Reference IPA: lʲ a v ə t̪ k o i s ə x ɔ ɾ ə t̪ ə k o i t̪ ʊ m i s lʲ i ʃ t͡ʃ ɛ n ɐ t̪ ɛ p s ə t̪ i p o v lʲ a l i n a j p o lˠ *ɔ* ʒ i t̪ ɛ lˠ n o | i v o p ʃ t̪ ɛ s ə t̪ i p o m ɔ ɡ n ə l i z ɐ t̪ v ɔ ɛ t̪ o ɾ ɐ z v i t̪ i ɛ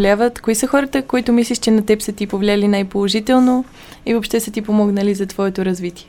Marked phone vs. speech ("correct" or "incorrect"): incorrect